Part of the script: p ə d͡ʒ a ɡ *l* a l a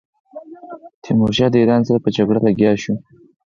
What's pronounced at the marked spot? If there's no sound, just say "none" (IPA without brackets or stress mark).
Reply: ɽ